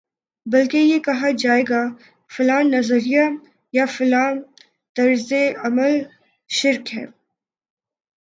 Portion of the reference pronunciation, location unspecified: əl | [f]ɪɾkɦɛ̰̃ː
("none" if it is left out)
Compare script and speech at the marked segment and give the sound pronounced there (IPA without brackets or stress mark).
ʃ